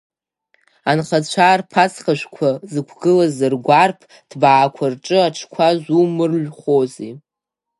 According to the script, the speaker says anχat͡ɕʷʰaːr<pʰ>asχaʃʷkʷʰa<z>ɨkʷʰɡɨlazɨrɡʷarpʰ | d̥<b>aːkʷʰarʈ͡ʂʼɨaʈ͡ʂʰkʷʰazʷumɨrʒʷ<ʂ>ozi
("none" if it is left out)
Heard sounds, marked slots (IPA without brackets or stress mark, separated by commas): pʰ, z, b, χ